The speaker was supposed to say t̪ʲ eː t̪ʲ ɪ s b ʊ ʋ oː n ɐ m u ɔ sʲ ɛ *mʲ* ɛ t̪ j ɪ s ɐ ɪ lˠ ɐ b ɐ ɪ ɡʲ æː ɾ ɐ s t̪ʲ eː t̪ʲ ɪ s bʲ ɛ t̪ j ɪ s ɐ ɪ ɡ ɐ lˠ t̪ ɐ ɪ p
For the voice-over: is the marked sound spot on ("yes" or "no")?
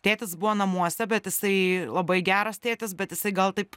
no